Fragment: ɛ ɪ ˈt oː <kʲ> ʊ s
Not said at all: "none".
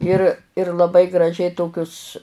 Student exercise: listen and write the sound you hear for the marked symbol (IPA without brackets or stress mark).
kʲ